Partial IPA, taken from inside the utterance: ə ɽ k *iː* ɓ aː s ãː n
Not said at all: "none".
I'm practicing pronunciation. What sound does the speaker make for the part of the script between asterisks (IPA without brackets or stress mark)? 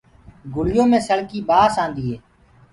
iː